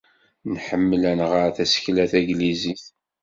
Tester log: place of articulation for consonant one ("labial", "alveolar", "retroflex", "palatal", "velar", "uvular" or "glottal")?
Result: alveolar